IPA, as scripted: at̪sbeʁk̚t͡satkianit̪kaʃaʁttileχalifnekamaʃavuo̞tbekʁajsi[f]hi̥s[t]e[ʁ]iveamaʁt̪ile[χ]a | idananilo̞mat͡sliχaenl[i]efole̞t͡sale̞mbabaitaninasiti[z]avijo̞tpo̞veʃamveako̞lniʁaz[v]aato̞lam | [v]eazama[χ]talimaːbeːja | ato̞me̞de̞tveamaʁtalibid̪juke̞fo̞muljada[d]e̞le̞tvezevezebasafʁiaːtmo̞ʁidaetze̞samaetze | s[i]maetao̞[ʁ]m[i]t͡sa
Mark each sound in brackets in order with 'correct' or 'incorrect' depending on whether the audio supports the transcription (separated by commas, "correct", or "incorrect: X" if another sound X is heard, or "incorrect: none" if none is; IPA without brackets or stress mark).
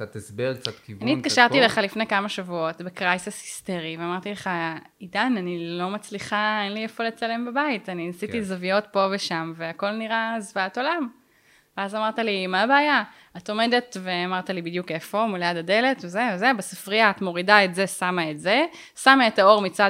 incorrect: s, correct, correct, correct, correct, correct, correct, correct, incorrect: ʁ, correct, incorrect: a, correct, correct